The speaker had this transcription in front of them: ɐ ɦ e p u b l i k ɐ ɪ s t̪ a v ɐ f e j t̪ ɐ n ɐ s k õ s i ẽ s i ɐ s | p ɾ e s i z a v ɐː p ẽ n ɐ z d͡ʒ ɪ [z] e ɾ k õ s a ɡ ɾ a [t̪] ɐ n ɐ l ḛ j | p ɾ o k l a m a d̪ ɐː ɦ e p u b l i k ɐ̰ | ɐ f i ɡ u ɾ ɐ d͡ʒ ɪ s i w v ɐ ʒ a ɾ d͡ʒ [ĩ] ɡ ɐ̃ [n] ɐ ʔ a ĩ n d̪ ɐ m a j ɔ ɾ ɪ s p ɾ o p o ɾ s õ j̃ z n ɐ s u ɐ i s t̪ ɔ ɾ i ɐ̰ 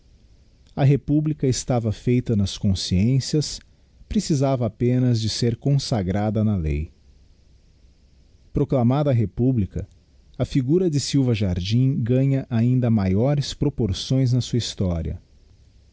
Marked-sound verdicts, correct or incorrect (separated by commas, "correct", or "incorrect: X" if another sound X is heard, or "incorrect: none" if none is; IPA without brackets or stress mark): incorrect: s, incorrect: d̪, correct, incorrect: ɲ